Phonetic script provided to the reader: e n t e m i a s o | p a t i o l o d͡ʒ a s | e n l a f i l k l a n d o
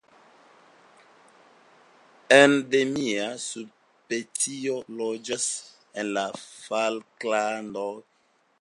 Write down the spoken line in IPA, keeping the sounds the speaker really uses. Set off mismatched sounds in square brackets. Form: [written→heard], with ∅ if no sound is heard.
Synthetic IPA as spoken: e n [t→d] e m i a s [o→u] | p [a→e] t i o l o d͡ʒ a s | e n l a f [i→a] l k l a n d o

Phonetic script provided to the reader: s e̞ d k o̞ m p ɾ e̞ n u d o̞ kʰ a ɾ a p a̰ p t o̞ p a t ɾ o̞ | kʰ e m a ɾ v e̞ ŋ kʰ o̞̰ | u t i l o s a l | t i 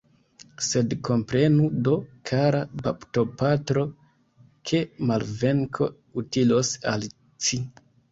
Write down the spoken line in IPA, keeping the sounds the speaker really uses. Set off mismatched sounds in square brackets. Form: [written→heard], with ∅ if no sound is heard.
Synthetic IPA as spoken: s e̞ d k o̞ m p ɾ e̞ n u d o̞ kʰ a ɾ a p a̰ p t o̞ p a t ɾ o̞ | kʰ e m a [ɾ→l] v e̞ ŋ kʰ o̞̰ | u t i l o s a l | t i

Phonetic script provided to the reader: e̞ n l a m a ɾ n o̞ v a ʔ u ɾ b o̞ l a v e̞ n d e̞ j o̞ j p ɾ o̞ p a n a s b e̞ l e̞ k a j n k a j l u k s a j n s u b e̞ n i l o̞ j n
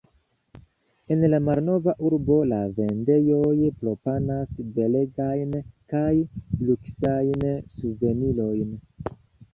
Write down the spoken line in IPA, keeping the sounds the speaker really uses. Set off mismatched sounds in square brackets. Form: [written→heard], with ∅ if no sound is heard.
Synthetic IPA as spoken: e̞ n l a m a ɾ n o̞ v a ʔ u ɾ b o̞ l a v e̞ n d e̞ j o̞ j p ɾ o̞ p a n a s b e̞ l e̞ [k→ɡ] a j n k a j l u k s a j n s u [b→v] e̞ n i l o̞ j n

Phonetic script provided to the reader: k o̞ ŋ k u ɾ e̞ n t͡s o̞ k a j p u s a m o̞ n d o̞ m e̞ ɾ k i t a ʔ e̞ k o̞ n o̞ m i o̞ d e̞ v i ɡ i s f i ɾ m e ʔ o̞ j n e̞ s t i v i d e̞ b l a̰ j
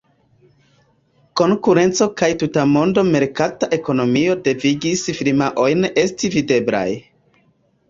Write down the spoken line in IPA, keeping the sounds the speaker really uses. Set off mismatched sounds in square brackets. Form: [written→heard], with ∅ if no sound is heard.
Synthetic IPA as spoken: k o̞ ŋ k u ɾ e̞ n t͡s o̞ k a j [p→t] u [s→t] a m o̞ n d o̞ m e̞ ɾ k [i→a] t a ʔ e̞ k o̞ n o̞ m i o̞ d e̞ v i ɡ i s f i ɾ m [e→a] ʔ o̞ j n e̞ s t i v i d e̞ b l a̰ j

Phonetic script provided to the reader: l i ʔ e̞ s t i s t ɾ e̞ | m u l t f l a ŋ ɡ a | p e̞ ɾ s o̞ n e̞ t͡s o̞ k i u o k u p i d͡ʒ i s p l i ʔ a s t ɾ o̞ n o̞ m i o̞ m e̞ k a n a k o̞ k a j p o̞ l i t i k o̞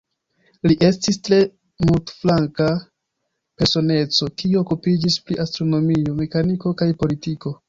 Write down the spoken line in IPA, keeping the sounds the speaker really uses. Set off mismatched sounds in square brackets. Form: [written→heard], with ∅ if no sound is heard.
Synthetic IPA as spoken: l i ʔ e̞ s t i s t ɾ e̞ | m u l t f l a ŋ [ɡ→k] a | p e̞ ɾ s o̞ n e̞ t͡s o̞ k i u o k u p i d͡ʒ i s p [l→ɾ] i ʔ a s t ɾ o̞ n o̞ m i o̞ m e̞ k a n [a→i] k o̞ k a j p o̞ l i t i k o̞

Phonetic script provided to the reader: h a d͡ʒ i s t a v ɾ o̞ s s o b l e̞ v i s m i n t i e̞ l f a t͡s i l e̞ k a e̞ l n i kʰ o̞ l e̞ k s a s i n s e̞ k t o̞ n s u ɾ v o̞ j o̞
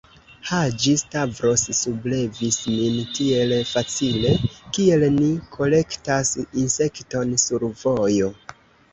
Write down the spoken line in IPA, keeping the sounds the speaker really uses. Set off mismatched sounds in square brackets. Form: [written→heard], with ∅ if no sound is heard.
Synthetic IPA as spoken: h a d͡ʒ i s t a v ɾ o̞ s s [o→u] b l e̞ v i s m i n t i e̞ l f a t͡s i l e̞ k [a→i] e̞ l n i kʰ o̞ l e̞ k [s→t] a s i n s e̞ k t o̞ n s u ɾ v o̞ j o̞

